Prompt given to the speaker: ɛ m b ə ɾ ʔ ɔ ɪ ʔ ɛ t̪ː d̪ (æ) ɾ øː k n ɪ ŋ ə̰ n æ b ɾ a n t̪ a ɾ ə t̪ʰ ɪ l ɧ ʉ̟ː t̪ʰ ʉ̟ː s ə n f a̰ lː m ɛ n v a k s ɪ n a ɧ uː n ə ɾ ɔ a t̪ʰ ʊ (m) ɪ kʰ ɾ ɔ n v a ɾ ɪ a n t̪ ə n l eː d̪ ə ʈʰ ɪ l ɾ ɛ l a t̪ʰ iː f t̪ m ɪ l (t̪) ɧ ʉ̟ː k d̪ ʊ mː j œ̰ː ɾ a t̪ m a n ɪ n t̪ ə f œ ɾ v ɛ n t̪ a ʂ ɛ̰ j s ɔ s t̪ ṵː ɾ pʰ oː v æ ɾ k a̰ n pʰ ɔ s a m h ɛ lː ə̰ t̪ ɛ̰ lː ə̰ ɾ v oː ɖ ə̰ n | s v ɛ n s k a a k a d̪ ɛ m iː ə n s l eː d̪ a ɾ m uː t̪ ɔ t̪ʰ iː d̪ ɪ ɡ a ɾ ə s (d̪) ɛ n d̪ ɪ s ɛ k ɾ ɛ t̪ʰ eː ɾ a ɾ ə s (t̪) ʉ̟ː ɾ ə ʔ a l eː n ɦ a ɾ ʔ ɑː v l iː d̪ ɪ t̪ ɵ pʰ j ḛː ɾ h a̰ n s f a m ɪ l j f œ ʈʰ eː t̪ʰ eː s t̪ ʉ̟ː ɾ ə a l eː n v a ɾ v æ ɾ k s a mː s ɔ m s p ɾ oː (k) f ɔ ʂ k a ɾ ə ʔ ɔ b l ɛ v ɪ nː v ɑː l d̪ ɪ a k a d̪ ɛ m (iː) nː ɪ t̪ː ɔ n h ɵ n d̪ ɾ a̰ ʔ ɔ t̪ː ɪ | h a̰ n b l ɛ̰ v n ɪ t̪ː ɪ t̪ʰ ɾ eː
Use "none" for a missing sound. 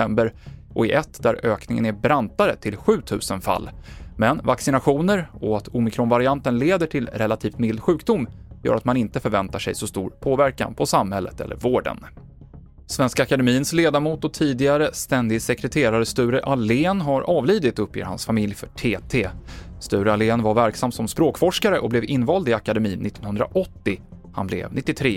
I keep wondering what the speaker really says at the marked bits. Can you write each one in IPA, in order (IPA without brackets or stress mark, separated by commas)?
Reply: æ, m, d̪, t̪, t̪, k, iː